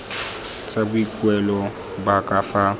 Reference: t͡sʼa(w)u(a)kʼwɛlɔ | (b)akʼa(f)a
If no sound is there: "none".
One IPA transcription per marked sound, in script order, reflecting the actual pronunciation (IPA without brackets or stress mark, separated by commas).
b, i, b, f